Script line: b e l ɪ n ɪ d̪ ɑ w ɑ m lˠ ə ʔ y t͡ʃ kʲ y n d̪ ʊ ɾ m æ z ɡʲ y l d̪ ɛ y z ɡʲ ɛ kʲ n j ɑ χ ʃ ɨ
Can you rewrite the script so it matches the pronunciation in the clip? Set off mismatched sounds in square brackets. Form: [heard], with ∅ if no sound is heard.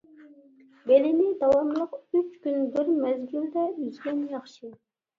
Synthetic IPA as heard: b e l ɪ n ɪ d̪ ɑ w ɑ m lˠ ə [q] y t͡ʃ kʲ y n d̪ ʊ ɾ m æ z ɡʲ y l d̪ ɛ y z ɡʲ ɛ [∅] n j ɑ χ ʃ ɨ